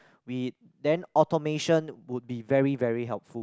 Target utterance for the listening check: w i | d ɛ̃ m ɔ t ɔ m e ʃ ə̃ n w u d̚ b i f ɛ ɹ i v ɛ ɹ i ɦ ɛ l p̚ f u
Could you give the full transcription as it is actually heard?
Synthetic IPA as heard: w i | d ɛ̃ n ɔ t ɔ m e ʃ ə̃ n w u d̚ b i v ɛ ɹ i v ɛ ɹ i ɦ ɛ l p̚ f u